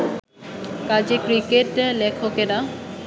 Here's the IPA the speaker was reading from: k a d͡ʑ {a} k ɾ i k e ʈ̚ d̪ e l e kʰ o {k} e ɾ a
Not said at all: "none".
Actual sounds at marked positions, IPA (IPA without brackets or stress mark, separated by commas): e, k